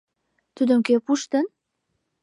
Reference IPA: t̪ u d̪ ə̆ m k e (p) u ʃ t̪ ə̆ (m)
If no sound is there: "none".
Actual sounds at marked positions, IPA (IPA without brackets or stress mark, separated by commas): p, n